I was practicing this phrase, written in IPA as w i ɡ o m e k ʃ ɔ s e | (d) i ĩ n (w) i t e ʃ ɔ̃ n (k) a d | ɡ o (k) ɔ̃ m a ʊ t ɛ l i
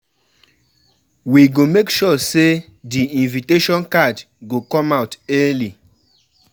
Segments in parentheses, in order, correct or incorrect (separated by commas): correct, incorrect, correct, correct